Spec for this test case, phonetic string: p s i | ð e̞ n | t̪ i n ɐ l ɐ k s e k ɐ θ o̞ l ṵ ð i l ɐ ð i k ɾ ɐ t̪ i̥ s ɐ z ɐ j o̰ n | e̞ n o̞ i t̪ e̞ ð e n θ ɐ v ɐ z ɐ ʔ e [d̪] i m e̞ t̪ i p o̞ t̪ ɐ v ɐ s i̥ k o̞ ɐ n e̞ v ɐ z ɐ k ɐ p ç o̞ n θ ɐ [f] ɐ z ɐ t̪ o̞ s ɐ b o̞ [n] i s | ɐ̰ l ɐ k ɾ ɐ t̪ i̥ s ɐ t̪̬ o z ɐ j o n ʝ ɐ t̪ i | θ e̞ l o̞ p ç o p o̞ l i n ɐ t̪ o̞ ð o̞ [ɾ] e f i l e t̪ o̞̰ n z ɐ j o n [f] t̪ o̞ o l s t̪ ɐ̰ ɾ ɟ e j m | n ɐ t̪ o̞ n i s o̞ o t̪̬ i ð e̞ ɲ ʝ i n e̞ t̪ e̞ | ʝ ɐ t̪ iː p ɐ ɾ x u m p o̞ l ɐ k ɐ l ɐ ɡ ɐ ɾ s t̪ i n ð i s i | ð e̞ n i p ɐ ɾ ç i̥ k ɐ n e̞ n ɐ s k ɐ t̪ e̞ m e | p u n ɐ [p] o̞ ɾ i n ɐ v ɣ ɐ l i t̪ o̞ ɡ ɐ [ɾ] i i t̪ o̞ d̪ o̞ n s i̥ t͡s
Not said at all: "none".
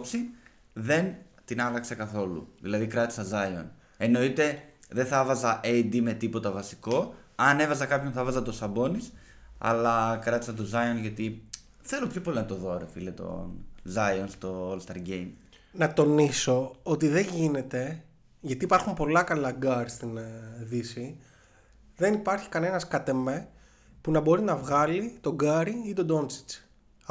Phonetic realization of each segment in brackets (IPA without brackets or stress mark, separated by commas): d̪, v, n, ɾ, s, b, ɾ